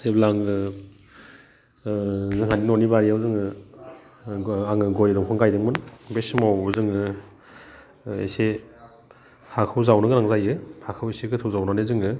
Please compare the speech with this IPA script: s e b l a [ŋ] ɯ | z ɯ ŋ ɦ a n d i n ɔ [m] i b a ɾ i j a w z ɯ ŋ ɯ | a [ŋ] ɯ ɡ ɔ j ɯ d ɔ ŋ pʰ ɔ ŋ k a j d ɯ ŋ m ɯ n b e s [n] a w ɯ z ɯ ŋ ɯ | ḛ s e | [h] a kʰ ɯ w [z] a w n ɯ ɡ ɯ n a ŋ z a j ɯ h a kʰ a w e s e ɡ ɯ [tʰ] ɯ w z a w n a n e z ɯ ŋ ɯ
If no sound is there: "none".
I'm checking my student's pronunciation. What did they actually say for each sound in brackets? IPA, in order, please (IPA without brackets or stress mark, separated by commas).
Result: ŋ, n, ŋ, m, h, z, tʰ